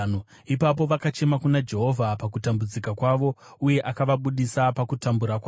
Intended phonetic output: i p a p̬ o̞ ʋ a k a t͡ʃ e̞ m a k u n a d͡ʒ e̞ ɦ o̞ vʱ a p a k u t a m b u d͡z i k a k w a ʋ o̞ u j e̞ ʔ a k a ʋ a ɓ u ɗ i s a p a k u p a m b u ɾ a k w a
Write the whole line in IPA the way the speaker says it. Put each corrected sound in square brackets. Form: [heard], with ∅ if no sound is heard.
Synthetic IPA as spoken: i p a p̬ o̞ ʋ a k a t͡ʃ e̞ m a k u n a d͡ʒ e̞ ɦ o̞ vʱ a p a k u t a m b u d͡z i k a k w a ʋ o̞ u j e̞ ʔ a k a ʋ a ɓ u ɗ i s a p a k u [t] a m b u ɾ a k w a